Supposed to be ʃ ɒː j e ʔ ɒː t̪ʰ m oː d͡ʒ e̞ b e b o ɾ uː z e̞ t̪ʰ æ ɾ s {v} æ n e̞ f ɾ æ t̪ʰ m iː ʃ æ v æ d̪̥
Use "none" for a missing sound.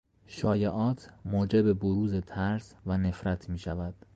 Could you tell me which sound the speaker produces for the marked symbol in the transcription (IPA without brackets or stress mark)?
v